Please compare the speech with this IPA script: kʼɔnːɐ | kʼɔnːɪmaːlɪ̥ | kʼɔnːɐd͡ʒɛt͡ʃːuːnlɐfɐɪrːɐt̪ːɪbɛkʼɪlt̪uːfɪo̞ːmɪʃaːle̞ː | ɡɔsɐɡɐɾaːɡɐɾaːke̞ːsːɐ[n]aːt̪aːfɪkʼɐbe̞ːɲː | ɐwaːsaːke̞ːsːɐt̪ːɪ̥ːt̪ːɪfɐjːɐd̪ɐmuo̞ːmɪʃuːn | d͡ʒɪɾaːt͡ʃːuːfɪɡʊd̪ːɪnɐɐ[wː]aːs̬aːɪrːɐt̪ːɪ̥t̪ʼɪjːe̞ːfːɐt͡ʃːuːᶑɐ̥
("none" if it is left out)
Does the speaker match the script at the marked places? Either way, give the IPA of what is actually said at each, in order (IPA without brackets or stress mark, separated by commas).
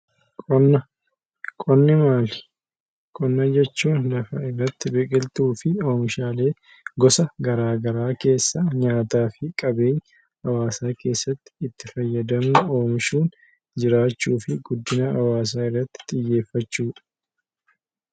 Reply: ɲ, w